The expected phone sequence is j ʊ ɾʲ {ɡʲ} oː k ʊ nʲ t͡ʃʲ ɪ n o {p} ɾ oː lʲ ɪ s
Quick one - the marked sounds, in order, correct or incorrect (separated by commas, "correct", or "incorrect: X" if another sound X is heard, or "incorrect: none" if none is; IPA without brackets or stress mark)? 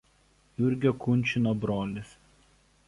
correct, incorrect: b